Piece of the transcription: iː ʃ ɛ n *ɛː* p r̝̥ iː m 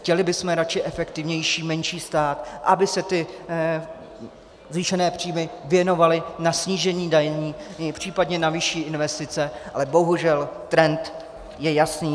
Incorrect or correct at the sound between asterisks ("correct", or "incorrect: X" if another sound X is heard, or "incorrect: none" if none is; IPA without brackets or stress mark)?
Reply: correct